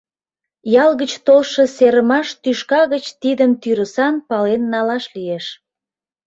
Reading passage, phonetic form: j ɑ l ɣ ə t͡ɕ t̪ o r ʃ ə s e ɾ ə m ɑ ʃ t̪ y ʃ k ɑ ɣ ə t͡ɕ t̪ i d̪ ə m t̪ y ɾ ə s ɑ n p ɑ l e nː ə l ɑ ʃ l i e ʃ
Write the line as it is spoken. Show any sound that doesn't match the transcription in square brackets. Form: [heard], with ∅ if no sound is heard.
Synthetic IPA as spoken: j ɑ l ɣ ə t͡ɕ t̪ o [l] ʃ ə s e ɾ ə m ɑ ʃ t̪ y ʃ k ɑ ɣ ə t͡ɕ t̪ i d̪ ə m t̪ y ɾ ə s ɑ n p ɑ l e nː [ɑ] l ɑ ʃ l i e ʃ